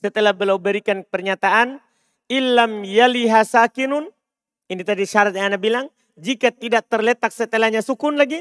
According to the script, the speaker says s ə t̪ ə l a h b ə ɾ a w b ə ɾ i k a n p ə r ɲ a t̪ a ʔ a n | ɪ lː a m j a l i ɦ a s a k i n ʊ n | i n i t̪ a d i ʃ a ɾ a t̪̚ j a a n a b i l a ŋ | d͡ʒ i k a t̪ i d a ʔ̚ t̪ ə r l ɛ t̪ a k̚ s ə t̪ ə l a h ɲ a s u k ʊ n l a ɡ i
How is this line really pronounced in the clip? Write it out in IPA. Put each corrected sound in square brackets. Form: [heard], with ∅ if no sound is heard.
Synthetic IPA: s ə t̪ ə l a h b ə [l] a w b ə ɾ i k a n p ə r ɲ a t̪ a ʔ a n | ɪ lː a m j a l i ɦ a s a k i n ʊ n | i n i t̪ a d i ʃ a ɾ a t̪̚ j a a n a b i l a ŋ | d͡ʒ i k a t̪ i d a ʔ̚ t̪ ə r l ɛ t̪ a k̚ s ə t̪ ə l a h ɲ a s u k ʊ n l a ɡ i